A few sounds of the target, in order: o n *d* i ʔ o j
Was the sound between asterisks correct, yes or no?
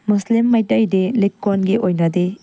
no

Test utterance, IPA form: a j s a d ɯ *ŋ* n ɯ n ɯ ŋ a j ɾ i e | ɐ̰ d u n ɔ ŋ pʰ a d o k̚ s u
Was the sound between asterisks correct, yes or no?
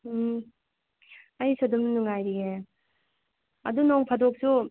no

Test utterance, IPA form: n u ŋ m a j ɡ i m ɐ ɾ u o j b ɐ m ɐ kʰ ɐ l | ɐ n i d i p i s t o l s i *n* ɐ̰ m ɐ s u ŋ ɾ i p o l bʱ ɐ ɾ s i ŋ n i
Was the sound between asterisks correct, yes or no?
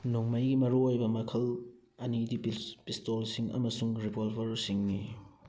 no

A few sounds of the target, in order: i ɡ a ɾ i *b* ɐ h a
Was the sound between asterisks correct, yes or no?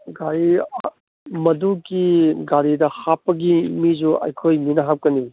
no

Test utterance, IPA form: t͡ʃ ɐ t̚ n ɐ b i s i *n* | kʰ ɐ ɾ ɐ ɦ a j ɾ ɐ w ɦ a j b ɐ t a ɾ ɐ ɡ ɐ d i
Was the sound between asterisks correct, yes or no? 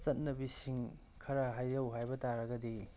no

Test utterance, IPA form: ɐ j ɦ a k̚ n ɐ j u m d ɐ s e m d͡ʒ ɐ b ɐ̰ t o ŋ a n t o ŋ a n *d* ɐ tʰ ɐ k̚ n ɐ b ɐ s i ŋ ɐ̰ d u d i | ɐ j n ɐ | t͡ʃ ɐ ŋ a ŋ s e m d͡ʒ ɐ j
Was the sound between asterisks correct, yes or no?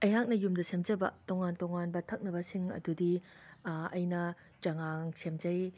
no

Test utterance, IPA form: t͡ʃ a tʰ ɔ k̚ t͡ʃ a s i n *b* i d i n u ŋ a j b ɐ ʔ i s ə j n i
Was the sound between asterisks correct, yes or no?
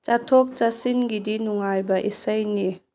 no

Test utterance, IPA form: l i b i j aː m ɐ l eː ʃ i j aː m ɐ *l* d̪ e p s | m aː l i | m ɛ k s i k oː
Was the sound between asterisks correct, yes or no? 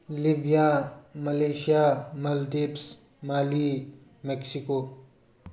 yes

